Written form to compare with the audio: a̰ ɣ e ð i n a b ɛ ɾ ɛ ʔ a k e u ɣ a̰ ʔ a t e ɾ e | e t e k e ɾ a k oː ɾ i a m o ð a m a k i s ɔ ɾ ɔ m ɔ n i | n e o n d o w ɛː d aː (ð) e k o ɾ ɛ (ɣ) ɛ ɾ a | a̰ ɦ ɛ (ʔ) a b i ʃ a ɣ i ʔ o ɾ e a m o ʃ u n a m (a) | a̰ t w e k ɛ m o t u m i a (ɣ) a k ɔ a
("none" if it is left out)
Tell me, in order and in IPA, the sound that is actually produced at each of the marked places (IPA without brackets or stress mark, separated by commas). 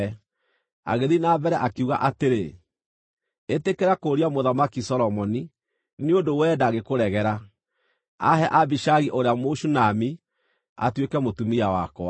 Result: ɣ, ɣ, ʔ, i, w